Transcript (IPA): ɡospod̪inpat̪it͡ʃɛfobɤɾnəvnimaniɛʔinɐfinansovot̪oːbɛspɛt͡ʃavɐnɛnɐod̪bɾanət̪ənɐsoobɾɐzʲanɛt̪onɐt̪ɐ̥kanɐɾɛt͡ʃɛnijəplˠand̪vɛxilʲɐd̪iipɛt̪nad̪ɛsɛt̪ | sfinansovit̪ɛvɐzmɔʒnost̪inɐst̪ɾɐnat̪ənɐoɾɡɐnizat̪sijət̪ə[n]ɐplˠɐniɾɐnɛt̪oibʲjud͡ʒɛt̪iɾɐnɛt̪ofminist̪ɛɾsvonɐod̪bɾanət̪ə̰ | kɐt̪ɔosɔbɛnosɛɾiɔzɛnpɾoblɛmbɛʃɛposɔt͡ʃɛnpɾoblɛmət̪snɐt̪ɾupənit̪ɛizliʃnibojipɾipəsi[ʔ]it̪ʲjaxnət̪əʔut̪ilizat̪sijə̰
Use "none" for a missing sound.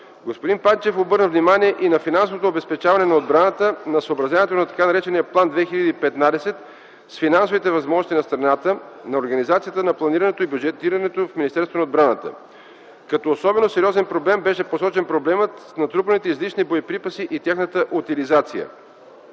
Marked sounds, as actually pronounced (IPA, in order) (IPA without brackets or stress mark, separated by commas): n, ʔ